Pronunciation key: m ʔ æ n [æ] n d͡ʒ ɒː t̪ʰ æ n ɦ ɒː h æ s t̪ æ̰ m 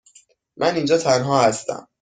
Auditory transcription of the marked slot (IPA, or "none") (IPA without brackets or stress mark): i